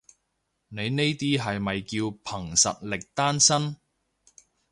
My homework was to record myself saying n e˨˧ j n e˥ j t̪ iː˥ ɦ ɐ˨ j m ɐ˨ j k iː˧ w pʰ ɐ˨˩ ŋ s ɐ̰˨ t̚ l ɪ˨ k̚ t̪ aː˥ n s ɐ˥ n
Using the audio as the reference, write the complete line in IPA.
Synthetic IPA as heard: n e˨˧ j n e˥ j t̪ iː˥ ɦ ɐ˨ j m ɐ˨ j k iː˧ w pʰ ɐ˨˩ ŋ s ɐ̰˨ t̚ l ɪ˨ k̚ t̪ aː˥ n s ɐ˥ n

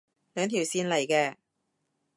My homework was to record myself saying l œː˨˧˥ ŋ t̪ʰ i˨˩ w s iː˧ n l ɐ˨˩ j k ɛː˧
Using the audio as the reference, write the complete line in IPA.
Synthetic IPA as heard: l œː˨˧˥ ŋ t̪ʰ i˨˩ w s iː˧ n l ɐ˨˩ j k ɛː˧

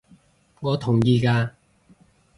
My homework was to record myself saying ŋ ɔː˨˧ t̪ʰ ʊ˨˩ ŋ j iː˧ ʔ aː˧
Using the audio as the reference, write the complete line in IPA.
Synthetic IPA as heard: ŋ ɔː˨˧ t̪ʰ ʊ˨˩ ŋ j iː˧ k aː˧

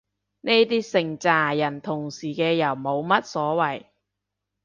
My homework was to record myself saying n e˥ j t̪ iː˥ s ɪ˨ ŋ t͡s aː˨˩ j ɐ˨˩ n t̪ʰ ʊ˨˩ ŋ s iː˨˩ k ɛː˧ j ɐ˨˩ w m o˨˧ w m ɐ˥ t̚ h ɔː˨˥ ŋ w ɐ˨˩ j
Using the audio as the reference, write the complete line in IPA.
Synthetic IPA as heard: n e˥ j t̪ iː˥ s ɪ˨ ŋ t͡s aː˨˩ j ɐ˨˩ n t̪ʰ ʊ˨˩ ŋ s iː˨˩ k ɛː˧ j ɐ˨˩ w m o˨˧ w m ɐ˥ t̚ s ɔː˨˥ w ɐ˨˩ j

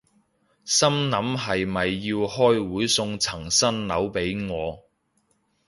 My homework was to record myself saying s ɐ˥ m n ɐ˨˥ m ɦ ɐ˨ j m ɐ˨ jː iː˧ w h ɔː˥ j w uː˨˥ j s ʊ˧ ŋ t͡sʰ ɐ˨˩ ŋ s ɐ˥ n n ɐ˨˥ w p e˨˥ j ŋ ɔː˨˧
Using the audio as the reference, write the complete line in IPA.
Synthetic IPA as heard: s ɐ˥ m n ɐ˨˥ m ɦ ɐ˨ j m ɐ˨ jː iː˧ w h ɔː˥ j w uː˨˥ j s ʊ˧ ŋ t͡sʰ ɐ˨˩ ŋ s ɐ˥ n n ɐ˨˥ w p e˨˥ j ŋ ɔː˨˧

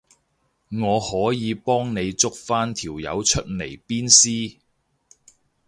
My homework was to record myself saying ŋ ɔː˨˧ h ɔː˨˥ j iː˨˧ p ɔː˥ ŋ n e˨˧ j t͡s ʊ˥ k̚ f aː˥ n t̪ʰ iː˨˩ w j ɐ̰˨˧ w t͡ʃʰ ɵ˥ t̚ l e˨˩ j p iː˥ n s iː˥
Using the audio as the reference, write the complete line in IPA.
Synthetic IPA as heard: ŋ ɔː˨˧ h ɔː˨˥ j iː˨˧ p ɔː˥ ŋ n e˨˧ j t͡s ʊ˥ k̚ f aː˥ n t̪ʰ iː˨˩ w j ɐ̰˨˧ w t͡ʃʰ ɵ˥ t̚ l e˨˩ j p iː˥ n s iː˥

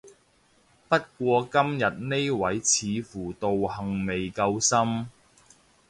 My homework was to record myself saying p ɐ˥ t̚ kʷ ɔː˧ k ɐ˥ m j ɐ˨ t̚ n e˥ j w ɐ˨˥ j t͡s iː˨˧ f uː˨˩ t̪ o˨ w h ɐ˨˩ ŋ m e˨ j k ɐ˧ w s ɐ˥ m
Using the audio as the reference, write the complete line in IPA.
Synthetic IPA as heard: p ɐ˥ t̚ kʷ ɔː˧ k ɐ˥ m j ɐ˨ t̚ n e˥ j w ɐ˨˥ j t͡sʰ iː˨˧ f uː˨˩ t̪ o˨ w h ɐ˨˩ ŋ m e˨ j k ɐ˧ w s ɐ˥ m

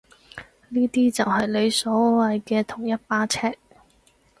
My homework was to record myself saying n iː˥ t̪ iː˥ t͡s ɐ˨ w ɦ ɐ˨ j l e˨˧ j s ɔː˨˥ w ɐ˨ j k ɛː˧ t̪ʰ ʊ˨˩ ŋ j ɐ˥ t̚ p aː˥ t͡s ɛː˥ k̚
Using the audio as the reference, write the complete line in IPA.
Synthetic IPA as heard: n iː˥ t̪ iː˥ t͡s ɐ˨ w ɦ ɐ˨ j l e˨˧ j s ɔː˨˥ w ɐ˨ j k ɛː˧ t̪ʰ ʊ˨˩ ŋ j ɐ˥ t̚ p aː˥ t͡sʰ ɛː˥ k̚

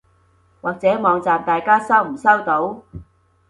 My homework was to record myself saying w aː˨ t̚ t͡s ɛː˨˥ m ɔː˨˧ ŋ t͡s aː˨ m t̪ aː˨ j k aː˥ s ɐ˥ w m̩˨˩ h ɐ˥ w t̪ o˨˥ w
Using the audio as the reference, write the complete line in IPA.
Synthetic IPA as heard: w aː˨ k̚ t͡s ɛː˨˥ m ɔː˨˧ ŋ t͡s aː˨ m t̪ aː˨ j k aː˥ s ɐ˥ w m̩˨˩ s ɐ˥ w t̪ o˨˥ w

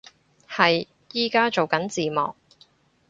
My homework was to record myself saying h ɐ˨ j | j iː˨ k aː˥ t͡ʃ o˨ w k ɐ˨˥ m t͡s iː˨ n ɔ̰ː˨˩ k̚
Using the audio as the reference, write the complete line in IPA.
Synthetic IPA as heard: h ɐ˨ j | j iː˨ k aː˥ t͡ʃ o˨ w k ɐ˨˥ n t͡s iː˨ m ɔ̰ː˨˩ k̚

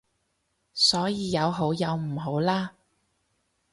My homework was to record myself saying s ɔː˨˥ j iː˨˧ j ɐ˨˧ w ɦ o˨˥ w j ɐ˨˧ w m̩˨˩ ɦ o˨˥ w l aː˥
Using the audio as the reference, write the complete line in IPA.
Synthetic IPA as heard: s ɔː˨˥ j iː˨˧ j ɐ˨˧ w ɦ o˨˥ w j ɐ˨˧ w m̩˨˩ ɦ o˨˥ w l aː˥

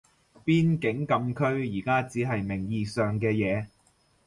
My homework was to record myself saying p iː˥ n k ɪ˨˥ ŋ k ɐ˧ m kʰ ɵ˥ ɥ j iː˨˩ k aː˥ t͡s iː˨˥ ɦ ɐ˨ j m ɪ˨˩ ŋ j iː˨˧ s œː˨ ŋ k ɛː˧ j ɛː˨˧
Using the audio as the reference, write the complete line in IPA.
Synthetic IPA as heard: p iː˥ n k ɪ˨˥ ŋ k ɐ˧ m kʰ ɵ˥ ɥ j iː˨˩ k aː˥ t͡s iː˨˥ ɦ ɐ˨ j m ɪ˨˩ ŋ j iː˨˧ s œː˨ ŋ k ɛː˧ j ɛː˨˧

